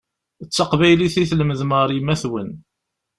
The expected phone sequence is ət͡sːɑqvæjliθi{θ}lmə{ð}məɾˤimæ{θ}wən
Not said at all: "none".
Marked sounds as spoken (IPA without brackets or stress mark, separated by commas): θ, ð, θ